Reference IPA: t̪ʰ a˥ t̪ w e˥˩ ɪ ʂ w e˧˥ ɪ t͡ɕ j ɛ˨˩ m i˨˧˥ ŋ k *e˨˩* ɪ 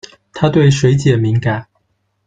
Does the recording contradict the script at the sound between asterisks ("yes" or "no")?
yes